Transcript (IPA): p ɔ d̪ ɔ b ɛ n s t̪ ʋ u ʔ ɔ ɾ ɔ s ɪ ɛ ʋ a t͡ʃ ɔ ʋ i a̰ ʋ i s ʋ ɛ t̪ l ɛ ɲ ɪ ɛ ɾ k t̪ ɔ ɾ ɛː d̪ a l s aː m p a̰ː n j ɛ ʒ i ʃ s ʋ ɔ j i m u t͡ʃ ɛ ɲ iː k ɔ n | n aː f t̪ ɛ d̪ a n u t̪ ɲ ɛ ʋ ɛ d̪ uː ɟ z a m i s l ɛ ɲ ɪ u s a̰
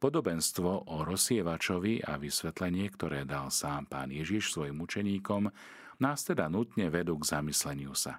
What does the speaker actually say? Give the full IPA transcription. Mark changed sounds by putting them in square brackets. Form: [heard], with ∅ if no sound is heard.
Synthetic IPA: p ɔ d̪ ɔ b ɛ n s t̪ ʋ [ɔ] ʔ ɔ ɾ ɔ s ɪ ɛ ʋ a t͡ʃ ɔ ʋ i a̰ ʋ i s ʋ ɛ t̪ l ɛ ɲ ɪ ɛ [∅] k t̪ ɔ ɾ ɛː d̪ a l s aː m p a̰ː n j ɛ ʒ i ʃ s ʋ ɔ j i m u t͡ʃ ɛ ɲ iː k ɔ [m] | n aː [s] t̪ ɛ d̪ a n u t̪ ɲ ɛ ʋ ɛ d̪ uː [ɡ] z a m i s l ɛ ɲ ɪ u s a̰